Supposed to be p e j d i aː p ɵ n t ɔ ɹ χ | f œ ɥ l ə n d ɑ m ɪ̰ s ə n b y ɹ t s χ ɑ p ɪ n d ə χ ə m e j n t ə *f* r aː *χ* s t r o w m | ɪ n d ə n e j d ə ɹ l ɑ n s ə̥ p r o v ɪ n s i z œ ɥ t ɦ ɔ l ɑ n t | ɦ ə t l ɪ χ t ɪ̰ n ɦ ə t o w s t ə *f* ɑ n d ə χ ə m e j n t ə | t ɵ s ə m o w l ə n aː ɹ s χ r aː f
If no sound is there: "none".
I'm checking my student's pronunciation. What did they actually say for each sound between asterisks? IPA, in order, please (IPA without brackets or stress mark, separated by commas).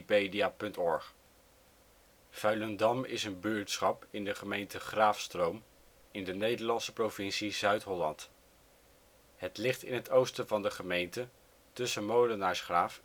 χ, f, v